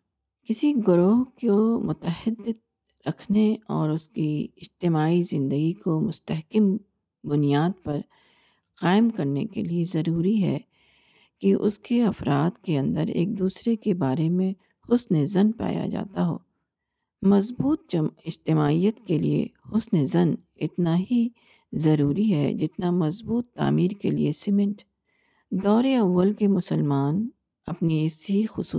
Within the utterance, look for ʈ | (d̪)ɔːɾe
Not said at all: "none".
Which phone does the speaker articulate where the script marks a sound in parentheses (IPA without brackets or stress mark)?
d̪